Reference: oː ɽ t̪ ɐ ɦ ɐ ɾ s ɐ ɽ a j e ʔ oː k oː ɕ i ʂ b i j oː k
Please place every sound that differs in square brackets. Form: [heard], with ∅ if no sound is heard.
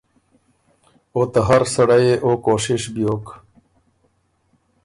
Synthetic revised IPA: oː [∅] t̪ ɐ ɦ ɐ ɾ s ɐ ɽ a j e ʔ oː k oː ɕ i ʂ b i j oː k